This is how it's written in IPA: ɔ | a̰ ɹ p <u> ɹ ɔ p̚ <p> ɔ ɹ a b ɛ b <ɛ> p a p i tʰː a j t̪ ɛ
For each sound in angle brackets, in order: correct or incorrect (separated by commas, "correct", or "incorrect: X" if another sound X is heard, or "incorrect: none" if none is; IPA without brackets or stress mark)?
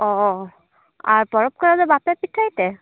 incorrect: ɔ, incorrect: k, incorrect: a